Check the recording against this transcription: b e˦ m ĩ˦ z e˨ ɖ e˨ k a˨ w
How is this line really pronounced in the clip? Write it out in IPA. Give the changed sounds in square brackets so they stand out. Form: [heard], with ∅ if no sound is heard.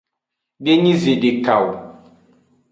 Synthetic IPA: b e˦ [ɲ] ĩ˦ z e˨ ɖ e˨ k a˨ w